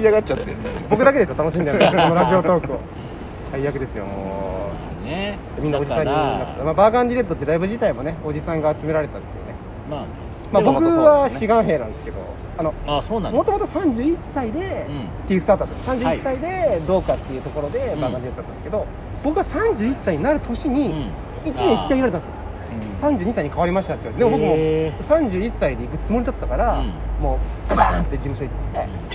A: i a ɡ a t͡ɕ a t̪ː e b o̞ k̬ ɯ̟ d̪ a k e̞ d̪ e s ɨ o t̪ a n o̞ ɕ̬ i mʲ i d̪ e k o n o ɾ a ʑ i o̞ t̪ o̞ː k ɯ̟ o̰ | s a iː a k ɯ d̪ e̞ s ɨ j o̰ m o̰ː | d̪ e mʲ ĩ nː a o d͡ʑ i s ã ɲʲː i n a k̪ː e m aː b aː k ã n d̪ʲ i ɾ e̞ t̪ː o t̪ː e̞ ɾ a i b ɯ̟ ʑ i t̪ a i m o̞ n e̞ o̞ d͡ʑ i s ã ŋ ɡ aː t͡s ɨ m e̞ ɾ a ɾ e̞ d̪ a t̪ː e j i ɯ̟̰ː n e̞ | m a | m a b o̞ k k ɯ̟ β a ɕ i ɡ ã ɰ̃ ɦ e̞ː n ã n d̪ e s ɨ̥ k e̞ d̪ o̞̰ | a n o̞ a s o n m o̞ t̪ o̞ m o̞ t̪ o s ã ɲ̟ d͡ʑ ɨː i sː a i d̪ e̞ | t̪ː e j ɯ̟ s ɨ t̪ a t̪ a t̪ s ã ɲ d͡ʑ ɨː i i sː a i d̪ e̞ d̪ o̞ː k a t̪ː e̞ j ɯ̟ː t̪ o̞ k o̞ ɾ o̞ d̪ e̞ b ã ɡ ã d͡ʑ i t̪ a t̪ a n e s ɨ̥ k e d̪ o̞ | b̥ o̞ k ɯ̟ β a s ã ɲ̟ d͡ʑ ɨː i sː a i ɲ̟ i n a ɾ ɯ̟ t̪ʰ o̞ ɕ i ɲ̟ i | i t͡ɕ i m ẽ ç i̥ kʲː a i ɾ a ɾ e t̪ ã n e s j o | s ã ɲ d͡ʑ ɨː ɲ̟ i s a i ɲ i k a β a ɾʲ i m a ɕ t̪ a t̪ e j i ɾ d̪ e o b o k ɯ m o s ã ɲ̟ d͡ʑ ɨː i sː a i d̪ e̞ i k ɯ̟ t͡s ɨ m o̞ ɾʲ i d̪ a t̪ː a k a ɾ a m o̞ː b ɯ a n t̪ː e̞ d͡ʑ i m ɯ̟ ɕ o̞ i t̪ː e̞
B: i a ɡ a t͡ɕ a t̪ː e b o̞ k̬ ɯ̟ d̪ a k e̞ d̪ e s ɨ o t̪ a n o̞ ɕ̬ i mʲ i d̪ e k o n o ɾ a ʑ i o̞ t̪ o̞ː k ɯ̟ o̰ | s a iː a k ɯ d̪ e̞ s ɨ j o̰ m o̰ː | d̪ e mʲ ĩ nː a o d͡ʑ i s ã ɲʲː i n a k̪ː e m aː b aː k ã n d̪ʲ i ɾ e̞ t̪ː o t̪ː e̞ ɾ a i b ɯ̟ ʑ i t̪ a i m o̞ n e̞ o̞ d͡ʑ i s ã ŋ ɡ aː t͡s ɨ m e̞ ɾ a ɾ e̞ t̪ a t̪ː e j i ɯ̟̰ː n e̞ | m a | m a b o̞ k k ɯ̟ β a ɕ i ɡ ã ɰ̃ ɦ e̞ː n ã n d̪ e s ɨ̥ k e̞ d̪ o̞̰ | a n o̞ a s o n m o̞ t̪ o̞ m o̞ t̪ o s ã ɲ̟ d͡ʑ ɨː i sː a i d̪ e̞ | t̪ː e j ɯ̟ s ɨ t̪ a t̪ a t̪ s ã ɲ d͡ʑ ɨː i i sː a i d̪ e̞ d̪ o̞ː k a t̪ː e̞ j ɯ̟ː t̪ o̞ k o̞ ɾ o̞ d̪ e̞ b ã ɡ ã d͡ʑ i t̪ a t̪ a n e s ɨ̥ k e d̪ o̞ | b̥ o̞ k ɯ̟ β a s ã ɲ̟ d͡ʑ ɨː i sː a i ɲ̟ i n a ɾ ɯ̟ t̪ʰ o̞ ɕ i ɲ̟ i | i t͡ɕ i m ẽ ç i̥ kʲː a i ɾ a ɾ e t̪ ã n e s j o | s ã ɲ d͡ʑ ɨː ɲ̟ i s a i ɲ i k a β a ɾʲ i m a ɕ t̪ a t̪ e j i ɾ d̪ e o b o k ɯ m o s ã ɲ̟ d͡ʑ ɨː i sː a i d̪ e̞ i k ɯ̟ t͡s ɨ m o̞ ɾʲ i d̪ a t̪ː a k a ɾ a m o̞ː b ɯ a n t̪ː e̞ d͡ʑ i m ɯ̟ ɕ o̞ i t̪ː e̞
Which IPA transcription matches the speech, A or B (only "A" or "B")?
B